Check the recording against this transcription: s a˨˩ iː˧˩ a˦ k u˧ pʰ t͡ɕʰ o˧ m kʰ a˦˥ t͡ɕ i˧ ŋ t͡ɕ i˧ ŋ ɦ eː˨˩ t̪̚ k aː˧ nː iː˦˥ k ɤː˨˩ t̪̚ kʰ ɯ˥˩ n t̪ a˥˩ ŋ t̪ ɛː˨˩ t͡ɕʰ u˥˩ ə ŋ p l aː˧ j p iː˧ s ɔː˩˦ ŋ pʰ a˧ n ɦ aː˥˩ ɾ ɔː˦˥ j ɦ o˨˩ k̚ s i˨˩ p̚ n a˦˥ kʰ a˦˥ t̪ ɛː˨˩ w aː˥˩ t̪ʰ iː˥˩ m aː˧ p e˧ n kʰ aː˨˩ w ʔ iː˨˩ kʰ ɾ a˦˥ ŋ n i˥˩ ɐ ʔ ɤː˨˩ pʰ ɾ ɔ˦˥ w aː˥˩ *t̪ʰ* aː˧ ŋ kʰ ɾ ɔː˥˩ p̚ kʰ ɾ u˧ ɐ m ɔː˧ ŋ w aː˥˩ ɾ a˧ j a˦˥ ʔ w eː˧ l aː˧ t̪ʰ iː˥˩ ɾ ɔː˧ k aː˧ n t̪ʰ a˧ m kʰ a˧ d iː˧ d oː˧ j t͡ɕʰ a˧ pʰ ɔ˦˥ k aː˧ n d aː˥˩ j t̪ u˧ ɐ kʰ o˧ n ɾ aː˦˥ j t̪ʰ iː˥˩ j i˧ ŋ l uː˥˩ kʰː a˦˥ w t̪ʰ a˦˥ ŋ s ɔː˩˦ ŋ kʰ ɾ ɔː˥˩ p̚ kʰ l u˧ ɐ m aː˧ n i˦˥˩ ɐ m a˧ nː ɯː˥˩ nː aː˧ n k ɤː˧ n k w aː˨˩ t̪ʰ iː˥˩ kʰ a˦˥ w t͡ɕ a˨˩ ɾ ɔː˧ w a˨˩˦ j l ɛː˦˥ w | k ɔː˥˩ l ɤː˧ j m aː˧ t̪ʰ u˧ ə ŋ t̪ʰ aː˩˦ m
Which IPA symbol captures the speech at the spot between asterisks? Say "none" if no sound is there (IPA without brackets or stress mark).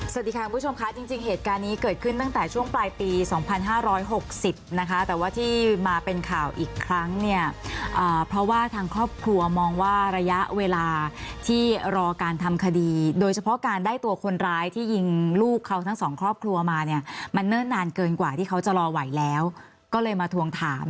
t̪ʰ